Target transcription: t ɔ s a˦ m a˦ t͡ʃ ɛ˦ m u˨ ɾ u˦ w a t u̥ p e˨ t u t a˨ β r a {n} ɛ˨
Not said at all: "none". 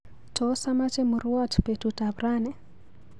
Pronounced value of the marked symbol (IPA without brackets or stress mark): n